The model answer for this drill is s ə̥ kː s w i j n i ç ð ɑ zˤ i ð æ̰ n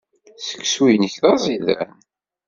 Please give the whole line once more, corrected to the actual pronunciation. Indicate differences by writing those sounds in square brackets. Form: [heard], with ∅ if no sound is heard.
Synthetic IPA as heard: s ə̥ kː s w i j n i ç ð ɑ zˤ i ð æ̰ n